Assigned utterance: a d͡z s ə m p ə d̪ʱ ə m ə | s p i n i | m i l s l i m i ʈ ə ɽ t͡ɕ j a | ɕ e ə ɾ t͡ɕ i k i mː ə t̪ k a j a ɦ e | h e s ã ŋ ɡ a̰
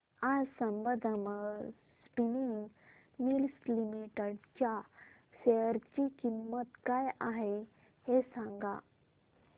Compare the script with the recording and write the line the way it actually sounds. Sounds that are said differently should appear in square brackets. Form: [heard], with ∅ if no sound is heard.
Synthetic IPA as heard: a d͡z s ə m [b] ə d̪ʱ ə m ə | s p i n i | m i l s l i m i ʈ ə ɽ t͡ɕ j a | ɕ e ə ɾ t͡ɕ i k i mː ə t̪ k a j a ɦ e | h e s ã ŋ ɡ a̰